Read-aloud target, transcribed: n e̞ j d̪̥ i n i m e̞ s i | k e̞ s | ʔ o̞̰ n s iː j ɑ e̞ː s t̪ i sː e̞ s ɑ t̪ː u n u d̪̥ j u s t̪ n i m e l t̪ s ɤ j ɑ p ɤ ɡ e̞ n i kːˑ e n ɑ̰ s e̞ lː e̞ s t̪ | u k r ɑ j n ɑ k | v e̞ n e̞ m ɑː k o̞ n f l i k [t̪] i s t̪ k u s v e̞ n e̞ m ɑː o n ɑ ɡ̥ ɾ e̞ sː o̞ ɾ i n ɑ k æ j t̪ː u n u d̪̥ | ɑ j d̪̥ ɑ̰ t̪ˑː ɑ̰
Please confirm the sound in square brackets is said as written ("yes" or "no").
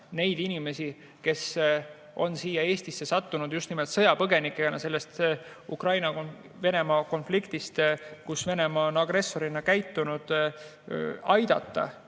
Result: yes